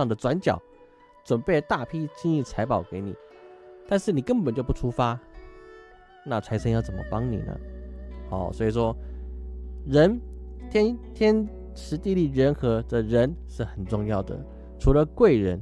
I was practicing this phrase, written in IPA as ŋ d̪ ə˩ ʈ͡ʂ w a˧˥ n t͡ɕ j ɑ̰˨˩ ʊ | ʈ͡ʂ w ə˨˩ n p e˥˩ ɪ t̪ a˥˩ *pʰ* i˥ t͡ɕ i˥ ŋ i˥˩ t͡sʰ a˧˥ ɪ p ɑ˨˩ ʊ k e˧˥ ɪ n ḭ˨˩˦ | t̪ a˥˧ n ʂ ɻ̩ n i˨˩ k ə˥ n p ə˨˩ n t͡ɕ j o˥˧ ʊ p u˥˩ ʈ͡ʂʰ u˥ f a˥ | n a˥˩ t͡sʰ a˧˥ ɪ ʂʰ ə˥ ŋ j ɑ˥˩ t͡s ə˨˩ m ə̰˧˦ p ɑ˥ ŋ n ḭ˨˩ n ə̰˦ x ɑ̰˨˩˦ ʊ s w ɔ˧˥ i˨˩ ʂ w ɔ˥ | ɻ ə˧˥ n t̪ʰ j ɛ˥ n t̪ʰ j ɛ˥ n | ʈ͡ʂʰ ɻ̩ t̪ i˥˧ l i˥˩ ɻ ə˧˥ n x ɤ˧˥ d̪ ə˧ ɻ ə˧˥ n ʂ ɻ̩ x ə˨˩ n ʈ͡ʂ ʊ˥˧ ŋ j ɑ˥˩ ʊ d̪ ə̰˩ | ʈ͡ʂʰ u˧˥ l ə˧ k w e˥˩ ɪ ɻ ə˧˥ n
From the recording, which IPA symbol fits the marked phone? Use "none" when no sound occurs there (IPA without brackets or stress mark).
pʰ